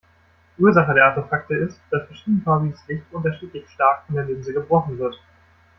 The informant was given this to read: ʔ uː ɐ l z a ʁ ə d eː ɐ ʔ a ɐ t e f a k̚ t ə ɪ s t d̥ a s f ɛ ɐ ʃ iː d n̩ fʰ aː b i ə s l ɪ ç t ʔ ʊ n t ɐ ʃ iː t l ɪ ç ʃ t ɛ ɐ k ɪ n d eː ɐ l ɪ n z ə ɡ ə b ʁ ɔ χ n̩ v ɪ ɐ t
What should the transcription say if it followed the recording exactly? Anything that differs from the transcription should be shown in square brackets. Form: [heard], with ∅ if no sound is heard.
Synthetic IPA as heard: ʔ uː ɐ [∅] z a [χ] ə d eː ɐ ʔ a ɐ t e f a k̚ t ə ɪ s t d̥ a s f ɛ ɐ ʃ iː d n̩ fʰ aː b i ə s l ɪ ç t ʔ ʊ n t ɐ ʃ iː t l ɪ ç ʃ t [a] ɐ k ɪ n d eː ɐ l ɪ n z ə ɡ ə b ʁ ɔ χ n̩ v ɪ ɐ t